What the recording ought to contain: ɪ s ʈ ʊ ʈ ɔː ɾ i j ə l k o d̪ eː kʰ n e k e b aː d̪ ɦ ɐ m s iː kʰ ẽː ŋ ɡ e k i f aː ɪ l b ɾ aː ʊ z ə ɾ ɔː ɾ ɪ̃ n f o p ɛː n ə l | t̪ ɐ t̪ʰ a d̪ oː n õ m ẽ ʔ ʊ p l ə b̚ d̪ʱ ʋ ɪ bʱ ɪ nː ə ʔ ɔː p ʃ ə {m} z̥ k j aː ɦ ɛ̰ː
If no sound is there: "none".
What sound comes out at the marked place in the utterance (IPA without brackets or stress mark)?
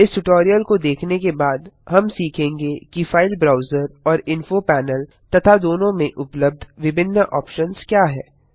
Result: n